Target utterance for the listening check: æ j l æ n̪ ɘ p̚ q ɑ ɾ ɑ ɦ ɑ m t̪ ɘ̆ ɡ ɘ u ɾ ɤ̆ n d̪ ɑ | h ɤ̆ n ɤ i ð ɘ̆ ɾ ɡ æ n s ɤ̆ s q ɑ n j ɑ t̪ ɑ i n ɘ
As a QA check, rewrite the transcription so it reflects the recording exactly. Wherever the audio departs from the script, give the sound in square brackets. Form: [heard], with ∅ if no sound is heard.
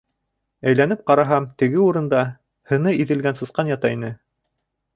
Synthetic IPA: æ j l æ n̪ ɘ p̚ q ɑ ɾ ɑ ɦ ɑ m t̪ ɘ̆ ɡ ɘ u ɾ ɤ̆ n d̪ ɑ | h ɤ̆ n ɤ i ð ɘ̆ [l] ɡ æ n s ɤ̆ s q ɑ n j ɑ t̪ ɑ i n ɘ